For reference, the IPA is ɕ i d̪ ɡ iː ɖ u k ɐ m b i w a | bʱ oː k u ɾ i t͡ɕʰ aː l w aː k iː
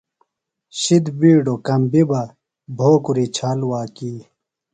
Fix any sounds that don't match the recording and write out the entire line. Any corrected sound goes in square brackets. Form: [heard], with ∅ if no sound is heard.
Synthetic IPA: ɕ i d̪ [b] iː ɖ [o] k ɐ m b i [b] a | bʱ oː k u ɾ i t͡ɕʰ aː l w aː k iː